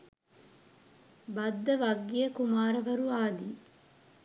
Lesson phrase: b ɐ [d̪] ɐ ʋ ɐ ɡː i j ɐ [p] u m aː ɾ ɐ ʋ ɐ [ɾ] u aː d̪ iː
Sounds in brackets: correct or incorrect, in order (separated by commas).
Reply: incorrect, incorrect, correct